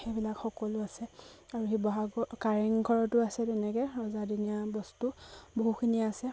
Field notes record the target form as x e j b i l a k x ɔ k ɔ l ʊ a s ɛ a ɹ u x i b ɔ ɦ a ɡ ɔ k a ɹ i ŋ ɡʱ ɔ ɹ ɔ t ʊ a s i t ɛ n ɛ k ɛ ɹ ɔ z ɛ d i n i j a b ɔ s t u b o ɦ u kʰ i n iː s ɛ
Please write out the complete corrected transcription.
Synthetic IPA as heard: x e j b i l a k x ɔ k ɔ l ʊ a s ɛ a ɹ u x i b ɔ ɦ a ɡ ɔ k a ɹ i ŋ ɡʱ ɔ ɹ ɔ t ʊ a s ɛ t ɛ n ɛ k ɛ ɹ ɔ z a d i n i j a b ɔ s t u b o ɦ u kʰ i n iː s ɛ